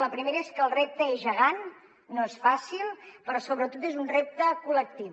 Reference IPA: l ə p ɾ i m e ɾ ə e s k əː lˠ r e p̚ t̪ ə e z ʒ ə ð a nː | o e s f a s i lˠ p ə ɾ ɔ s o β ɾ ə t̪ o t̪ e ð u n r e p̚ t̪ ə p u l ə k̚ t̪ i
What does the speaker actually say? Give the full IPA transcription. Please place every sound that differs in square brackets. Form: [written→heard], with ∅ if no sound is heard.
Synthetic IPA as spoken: l ə p ɾ i m e ɾ ə e s k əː lˠ r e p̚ t̪ ə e z ʒ ə [ð→ɣ] a nː | o e s f a s i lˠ p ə ɾ ɔ s o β ɾ ə t̪ o t̪ e [ð→z] u n r e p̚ t̪ ə [p→k] u l ə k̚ t̪ i

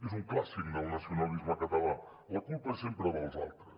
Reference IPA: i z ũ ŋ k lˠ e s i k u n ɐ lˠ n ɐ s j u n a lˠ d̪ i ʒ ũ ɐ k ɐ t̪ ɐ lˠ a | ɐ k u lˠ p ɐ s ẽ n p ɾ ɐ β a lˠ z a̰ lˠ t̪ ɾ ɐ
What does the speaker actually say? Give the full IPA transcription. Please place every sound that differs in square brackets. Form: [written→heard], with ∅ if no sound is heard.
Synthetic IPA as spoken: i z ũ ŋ k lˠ [e→a] s i k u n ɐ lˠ n ɐ s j u n a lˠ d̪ i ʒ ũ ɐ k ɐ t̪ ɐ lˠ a | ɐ k u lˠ p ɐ s ẽ [n→m] p ɾ ɐ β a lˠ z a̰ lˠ t̪ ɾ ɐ

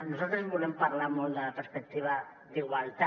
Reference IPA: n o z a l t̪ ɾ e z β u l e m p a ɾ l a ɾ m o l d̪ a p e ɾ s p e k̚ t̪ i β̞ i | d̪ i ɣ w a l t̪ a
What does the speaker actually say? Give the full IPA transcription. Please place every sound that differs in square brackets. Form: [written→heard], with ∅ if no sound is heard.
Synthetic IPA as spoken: n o [z→s] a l t̪ ɾ e z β u l e m p a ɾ l a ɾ m o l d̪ a p e ɾ s p e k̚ t̪ i β̞ [i→a] | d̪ i ɣ w a l t̪ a

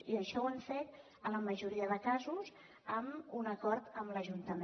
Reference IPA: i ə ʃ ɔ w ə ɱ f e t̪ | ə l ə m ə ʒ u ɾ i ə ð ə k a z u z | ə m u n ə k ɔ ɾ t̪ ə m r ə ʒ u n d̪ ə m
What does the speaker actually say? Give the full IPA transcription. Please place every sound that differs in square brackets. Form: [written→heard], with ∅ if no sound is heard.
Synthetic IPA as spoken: i ə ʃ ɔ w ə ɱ f e t̪ | ə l ə m ə ʒ u ɾ i ə ð ə k a z u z | ə m u n ə k ɔ ɾ t̪ ə m [r→l] ə ʒ u n [d̪→t̪] ə m

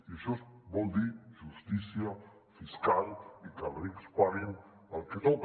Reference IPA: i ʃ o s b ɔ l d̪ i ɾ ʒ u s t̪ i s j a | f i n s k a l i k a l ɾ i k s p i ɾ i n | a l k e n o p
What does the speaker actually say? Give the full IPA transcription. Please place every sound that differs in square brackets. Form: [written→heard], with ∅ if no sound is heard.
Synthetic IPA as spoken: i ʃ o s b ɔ l d̪ i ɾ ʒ u s t̪ i s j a | f i [n→∅] s k a l i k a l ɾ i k s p [i→a] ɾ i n | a l k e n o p

